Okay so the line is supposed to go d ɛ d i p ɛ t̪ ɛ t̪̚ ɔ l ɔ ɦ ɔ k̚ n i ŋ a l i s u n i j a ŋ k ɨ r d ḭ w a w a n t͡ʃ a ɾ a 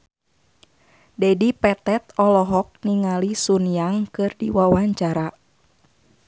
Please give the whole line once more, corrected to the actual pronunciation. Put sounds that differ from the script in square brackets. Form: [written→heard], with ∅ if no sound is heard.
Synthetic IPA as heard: d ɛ d i p ɛ t̪ ɛ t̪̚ ɔ l ɔ ɦ ɔ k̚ n i ŋ a l i s u n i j a ŋ k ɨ r d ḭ w a w a [n→ɲ] t͡ʃ a ɾ a